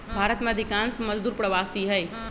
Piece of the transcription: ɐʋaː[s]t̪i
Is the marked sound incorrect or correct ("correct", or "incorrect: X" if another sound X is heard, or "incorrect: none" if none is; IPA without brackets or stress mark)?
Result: correct